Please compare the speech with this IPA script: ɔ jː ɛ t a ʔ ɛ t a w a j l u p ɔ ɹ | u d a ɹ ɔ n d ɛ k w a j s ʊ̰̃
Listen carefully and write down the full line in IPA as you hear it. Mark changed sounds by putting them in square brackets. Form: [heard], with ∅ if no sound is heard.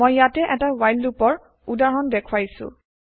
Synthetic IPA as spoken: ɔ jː [a] t [ɛ] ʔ ɛ t a w a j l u p ɔ ɹ | u d a ɹ ɔ n d ɛ [kʰ] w a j s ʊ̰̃